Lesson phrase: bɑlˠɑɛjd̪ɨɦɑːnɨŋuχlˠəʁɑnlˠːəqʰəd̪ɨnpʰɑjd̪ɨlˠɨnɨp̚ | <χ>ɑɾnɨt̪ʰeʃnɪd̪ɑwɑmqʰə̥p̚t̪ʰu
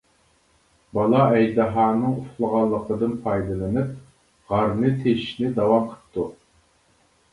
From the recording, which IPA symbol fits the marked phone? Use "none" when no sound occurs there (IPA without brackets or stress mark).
ʁ